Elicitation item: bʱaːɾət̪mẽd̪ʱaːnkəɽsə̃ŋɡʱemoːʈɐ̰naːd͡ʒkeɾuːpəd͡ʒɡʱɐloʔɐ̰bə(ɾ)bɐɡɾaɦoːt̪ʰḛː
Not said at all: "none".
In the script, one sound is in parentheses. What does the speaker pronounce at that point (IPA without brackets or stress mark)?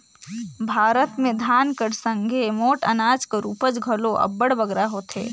ɽ